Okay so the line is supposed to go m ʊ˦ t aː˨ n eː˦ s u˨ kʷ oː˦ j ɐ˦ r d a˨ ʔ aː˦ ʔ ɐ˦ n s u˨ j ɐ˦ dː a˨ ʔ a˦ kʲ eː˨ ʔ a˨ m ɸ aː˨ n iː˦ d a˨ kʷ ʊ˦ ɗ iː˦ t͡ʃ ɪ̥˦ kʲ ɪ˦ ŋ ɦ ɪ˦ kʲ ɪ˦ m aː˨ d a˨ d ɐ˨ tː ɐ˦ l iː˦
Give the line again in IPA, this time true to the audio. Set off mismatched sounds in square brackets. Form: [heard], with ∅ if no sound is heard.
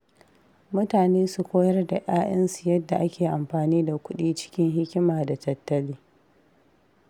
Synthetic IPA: m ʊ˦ t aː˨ n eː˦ s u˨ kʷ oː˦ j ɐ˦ r d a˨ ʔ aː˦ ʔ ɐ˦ n s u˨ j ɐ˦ dː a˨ ʔ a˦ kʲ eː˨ ʔ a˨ m ɸ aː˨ n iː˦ d a˨ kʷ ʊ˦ ɗ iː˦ t͡ʃ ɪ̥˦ kʲ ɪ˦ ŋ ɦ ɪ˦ kʲ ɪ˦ m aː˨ d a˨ [t] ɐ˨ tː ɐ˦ l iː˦